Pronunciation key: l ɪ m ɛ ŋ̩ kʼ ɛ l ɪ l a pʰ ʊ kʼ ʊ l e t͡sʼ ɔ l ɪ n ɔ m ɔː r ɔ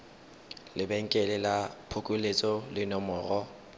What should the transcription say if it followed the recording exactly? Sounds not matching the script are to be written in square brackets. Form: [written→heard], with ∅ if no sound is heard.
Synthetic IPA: l ɪ [m→b] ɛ ŋ̩ kʼ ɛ l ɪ l a pʰ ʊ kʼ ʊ l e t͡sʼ ɔ l ɪ n ɔ m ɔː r ɔ